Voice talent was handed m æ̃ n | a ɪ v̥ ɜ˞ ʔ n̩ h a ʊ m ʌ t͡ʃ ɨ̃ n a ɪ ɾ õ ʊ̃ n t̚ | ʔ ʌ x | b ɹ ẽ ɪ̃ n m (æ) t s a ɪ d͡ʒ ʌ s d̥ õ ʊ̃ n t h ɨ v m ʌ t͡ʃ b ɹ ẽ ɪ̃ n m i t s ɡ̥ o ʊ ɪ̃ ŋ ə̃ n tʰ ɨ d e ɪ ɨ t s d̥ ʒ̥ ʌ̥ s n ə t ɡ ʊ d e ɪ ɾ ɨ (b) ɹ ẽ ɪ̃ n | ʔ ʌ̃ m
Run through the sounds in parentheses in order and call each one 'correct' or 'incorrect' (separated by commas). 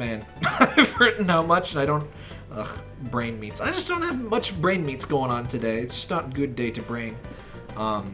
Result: incorrect, correct